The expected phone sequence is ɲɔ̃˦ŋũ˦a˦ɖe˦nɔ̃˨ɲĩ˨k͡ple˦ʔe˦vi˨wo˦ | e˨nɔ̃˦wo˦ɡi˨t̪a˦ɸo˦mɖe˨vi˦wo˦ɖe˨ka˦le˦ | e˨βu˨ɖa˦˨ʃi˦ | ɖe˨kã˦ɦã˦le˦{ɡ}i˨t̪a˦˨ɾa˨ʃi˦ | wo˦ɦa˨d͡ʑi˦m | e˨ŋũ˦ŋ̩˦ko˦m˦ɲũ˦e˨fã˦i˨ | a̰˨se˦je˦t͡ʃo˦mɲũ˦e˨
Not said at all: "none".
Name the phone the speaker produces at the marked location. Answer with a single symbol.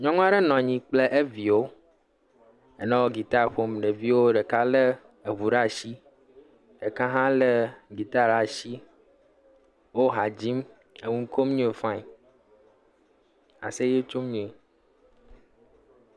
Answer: ɡ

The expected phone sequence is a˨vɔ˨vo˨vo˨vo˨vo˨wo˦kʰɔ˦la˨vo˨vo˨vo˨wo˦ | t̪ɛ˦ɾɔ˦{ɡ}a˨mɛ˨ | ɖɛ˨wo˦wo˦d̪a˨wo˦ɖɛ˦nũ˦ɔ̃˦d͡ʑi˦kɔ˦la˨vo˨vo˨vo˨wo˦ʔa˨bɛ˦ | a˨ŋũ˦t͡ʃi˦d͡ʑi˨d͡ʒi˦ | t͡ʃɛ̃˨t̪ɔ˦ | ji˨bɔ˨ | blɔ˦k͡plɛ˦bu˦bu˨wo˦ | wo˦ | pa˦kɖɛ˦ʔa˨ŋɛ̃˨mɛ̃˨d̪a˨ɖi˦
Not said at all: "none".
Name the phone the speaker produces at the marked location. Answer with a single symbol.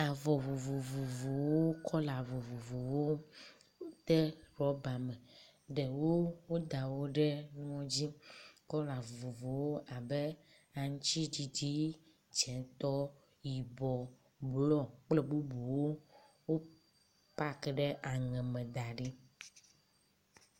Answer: b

